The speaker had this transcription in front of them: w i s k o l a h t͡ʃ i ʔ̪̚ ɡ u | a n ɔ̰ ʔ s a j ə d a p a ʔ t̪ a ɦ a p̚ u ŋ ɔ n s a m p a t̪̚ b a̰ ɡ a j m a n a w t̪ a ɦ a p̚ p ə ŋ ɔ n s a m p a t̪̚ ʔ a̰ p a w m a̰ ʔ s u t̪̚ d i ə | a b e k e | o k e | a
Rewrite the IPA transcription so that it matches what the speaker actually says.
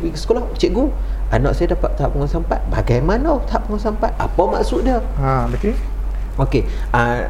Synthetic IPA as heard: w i s k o l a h t͡ʃ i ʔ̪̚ ɡ u | a n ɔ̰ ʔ s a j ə d a p a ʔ t̪ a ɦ a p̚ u ŋ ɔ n s a m p a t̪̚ b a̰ ɡ a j m a n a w t̪ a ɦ a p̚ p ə ŋ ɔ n s a m p a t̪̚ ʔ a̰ p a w m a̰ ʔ s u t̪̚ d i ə | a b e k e | o k e | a